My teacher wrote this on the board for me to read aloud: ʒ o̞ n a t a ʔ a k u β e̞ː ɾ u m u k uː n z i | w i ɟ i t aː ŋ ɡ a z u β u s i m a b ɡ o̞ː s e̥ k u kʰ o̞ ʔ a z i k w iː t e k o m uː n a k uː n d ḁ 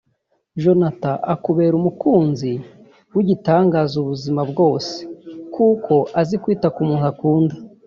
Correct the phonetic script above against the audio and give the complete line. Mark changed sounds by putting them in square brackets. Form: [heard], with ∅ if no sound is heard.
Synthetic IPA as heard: ʒ o̞ n a t a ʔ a k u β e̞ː ɾ u m u k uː n z i | w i ɟ i t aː ŋ ɡ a z u β u [z] i m a b ɡ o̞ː s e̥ k u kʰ o̞ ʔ a z i k w iː t [a] k [u] m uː n a k uː n d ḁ